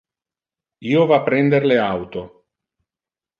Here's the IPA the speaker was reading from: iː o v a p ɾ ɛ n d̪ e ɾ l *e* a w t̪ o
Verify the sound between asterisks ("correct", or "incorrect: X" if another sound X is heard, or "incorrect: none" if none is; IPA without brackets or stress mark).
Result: correct